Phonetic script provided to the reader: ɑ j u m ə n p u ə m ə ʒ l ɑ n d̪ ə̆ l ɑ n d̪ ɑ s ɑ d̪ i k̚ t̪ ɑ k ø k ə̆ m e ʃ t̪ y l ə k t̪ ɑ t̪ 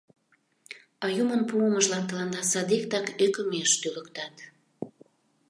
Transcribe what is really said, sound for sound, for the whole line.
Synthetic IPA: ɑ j u m ə n p u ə m ə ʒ l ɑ n t̪ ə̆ l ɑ n d̪ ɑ s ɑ d̪ i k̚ t̪ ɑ k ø k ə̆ m e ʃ t̪ y l ə k t̪ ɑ t̪